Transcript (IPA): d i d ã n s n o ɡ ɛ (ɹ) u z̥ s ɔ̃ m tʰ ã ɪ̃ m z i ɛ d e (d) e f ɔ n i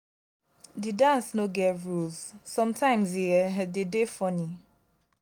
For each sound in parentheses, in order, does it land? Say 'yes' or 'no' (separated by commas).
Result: yes, yes